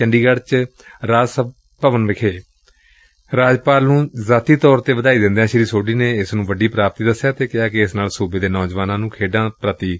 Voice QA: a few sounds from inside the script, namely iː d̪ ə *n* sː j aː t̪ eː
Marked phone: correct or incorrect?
incorrect